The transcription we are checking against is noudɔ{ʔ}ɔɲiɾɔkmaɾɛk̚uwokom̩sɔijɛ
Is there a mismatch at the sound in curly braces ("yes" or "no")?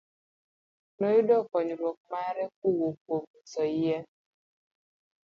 yes